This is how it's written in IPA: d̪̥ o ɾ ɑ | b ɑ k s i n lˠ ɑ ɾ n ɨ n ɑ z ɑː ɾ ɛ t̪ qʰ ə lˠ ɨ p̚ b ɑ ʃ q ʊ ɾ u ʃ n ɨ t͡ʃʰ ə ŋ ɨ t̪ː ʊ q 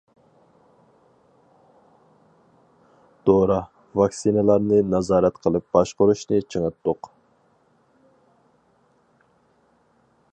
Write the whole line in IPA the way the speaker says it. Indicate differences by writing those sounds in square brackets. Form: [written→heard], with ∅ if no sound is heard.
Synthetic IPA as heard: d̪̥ o ɾ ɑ | [b→v] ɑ k s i n lˠ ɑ ɾ n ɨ n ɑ z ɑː ɾ ɛ t̪ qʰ ə lˠ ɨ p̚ b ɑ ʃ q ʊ ɾ u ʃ n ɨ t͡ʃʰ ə ŋ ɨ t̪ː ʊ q